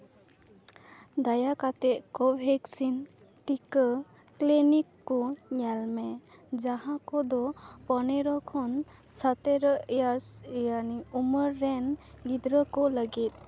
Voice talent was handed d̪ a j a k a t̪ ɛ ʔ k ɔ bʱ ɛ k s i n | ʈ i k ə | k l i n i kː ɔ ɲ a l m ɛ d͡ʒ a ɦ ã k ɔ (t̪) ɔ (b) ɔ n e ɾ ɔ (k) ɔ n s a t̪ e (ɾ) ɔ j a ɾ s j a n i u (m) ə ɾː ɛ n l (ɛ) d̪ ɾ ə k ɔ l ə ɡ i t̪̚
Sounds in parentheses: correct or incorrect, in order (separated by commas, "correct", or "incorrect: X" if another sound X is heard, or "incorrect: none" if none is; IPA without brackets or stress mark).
incorrect: d̪, incorrect: p, incorrect: kʰ, correct, correct, incorrect: i